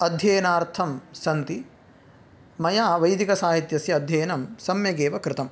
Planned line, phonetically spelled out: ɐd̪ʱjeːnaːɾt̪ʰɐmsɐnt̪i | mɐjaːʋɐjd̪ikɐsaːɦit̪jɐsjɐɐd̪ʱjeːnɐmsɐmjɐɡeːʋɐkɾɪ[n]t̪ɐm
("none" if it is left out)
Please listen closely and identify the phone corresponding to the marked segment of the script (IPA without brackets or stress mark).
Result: none